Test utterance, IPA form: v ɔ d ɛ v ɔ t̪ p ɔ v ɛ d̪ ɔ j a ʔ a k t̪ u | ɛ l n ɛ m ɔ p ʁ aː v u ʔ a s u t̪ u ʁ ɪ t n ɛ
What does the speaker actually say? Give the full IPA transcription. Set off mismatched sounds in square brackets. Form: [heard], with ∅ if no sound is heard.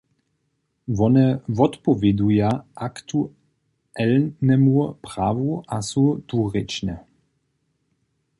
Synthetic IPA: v ɔ [n] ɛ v ɔ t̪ p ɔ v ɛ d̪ [u] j a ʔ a k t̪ u | ɛ l n ɛ m [u] p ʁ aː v u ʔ a s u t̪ u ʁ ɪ [t͡ʃ] n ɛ